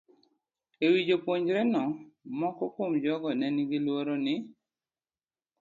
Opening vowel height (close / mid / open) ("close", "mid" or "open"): mid